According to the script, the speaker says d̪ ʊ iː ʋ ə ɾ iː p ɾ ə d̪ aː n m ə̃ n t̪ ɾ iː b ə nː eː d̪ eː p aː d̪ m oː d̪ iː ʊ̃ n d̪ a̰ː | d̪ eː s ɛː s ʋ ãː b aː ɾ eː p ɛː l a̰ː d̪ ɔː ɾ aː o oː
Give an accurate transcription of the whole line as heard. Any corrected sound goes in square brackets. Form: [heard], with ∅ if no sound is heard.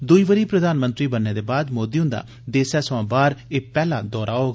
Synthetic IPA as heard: d̪ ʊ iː ʋ ə ɾ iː p ɾ ə d̪ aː n m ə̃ n t̪ ɾ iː b ə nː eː d̪ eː [b] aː d̪ m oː d̪ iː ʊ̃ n d̪ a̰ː | d̪ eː s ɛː s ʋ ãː b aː ɾ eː p ɛː l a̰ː d̪ ɔː ɾ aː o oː

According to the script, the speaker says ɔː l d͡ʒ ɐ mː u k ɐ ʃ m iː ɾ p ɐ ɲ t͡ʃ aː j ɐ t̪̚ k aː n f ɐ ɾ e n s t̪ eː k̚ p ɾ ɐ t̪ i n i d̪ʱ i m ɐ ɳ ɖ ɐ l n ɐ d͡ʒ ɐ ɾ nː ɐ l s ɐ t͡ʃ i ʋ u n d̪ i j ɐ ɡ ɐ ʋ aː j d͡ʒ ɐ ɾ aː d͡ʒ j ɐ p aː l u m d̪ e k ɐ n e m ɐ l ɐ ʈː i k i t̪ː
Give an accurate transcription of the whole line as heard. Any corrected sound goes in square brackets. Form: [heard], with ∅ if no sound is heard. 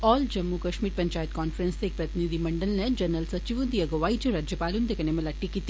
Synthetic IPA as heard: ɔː l d͡ʒ ɐ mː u k ɐ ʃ m iː ɾ p ɐ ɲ t͡ʃ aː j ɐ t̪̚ k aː n f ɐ ɾ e n s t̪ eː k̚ p ɾ ɐ t̪ i n i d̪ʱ i m ɐ ɳ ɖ ɐ l n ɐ d͡ʒ ɐ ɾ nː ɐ l s ɐ t͡ʃ i ʋ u n d̪ i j ɐ ɡ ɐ ʋ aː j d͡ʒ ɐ ɾ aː d͡ʒ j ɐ p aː l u [n] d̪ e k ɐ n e m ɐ l ɐ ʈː i k i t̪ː

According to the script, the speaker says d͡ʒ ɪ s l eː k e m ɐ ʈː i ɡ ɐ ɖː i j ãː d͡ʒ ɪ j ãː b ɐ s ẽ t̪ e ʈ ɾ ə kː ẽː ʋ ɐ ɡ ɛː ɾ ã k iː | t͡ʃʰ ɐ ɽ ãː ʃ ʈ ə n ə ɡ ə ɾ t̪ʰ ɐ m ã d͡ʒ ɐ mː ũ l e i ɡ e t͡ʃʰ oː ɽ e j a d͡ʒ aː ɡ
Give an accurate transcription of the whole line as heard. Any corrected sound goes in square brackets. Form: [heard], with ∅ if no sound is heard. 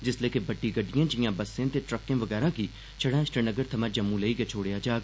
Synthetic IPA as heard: d͡ʒ ɪ s l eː k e [b] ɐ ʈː i ɡ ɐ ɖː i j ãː d͡ʒ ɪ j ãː b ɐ s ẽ t̪ e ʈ ɾ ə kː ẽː ʋ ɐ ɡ ɛː ɾ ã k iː | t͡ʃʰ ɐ ɽ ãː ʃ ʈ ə n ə ɡ ə ɾ t̪ʰ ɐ m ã d͡ʒ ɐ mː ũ l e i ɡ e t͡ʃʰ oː ɽ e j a d͡ʒ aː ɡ

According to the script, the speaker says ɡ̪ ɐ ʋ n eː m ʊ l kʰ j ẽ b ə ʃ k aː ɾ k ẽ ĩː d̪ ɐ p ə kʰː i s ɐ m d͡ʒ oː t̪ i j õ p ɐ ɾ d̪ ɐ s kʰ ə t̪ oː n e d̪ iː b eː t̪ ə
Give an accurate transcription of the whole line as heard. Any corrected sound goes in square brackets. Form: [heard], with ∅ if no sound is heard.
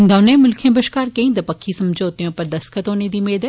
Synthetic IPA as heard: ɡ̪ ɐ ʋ n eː m ʊ l kʰ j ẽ b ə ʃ k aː ɾ k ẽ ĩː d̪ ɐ p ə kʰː i s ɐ m d͡ʒ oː t̪ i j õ p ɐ ɾ d̪ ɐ s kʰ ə t̪ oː n e d̪ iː [m] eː [d̪] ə

